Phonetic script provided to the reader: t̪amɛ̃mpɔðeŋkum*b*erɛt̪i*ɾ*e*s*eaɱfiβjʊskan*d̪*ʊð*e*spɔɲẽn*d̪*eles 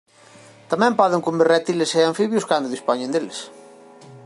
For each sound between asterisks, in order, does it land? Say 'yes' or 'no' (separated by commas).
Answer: yes, no, yes, yes, no, yes